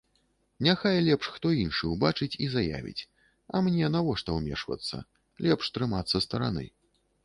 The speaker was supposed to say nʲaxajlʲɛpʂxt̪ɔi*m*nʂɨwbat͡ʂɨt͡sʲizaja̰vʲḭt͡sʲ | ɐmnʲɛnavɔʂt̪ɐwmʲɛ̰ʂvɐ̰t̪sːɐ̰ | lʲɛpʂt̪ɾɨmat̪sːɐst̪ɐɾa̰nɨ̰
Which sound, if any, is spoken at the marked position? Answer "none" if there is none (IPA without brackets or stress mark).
none